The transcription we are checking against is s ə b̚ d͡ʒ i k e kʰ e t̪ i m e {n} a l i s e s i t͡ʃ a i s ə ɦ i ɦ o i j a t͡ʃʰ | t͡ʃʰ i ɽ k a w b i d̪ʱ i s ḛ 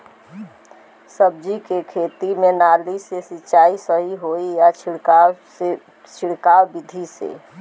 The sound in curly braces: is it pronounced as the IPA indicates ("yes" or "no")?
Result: yes